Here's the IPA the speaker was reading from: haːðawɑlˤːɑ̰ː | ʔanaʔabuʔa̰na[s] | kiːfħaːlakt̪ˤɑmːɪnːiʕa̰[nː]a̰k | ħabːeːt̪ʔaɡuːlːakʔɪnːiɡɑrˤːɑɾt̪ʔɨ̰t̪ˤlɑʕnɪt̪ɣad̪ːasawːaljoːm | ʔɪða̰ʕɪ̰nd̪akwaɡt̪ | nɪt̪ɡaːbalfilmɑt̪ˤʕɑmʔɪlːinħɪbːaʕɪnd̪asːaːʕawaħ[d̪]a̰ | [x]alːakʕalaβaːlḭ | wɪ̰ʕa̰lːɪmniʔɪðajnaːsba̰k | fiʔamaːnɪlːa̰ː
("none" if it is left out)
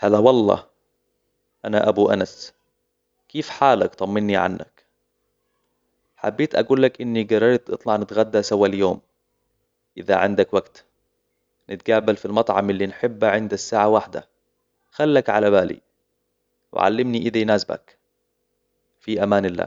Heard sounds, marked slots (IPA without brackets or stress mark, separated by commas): s, nː, d̪, x